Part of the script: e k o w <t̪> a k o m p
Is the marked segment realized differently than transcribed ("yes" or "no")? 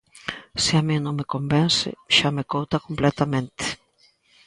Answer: no